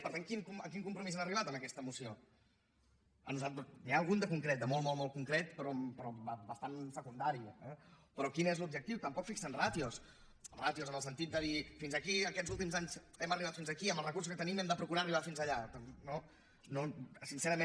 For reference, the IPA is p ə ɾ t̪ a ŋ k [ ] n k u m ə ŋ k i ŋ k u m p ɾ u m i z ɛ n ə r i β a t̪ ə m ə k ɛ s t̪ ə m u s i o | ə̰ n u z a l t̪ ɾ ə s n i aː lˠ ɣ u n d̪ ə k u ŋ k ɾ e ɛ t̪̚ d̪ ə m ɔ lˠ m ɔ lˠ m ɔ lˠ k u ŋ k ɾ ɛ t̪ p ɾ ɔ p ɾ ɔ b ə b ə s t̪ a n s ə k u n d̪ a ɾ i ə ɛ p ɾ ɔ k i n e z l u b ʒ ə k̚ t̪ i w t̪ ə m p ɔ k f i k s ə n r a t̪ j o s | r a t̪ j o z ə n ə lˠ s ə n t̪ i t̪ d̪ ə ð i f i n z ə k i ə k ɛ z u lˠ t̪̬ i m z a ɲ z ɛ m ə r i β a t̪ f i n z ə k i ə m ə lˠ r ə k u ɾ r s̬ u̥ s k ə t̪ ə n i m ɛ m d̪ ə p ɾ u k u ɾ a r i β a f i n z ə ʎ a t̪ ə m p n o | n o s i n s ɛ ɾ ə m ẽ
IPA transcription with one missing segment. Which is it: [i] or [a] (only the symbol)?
i